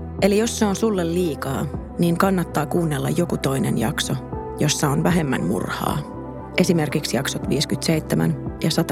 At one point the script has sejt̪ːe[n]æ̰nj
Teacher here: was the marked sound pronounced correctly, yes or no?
no